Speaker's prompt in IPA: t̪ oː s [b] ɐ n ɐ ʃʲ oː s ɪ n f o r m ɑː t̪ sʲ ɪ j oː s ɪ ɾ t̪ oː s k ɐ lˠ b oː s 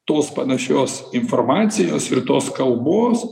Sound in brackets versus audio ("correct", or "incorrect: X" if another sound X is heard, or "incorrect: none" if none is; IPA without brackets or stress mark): incorrect: p